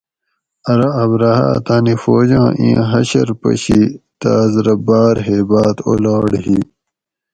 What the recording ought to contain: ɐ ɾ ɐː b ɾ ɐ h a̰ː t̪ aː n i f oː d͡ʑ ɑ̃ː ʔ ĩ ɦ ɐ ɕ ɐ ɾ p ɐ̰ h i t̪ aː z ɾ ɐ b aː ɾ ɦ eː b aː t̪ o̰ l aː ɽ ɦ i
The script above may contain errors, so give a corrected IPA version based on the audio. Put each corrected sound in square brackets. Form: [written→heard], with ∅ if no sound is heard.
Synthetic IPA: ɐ ɾ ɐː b ɾ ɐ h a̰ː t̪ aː n i f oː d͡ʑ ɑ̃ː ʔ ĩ ɦ ɐ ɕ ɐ ɾ p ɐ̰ [h→ɕ] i t̪ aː z ɾ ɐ b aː ɾ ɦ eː b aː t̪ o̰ l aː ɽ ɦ i